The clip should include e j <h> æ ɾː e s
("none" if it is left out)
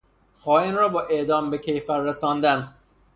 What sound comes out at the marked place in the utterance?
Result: f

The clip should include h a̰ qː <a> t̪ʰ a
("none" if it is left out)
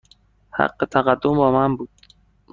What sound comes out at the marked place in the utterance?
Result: e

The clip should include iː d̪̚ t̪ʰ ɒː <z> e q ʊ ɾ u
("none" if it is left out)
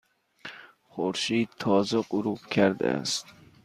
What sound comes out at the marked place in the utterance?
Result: z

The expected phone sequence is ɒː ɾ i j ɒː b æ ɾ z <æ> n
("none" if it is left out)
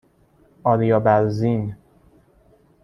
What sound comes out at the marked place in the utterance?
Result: i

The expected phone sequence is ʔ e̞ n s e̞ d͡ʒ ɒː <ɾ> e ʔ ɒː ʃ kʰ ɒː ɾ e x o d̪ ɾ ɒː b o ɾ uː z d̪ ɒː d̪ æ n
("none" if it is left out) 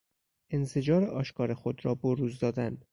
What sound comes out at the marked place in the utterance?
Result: ɾ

